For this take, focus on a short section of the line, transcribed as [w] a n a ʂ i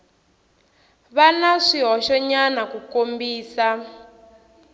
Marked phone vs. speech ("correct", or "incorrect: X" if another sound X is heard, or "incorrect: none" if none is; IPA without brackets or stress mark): incorrect: β